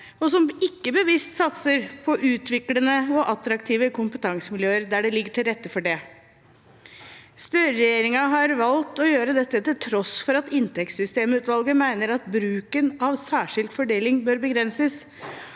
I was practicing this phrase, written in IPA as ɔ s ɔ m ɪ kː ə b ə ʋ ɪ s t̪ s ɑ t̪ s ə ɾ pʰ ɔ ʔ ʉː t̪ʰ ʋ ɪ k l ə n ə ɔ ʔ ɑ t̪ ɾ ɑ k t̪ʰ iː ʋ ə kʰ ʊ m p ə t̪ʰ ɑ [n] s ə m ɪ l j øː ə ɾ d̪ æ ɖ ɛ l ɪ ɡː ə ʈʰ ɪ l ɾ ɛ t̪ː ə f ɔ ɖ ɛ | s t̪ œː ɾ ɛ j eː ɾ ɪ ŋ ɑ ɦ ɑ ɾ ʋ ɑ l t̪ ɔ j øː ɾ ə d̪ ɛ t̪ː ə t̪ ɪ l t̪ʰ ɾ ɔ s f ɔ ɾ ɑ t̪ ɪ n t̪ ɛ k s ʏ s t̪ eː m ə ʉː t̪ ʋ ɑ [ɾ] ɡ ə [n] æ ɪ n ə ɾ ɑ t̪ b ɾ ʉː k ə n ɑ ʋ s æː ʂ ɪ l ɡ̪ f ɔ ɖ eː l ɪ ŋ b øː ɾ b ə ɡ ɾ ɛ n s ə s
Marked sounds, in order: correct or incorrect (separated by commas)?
incorrect, incorrect, incorrect